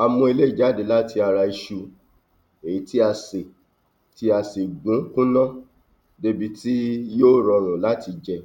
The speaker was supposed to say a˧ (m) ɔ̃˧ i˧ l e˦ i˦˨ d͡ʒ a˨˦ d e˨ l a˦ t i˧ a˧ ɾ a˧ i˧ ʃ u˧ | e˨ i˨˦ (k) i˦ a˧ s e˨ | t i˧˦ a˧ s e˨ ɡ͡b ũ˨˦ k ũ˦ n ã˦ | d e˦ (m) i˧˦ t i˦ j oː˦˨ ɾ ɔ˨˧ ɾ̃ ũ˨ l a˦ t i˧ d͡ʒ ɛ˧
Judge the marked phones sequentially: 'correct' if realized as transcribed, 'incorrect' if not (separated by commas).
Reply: correct, incorrect, incorrect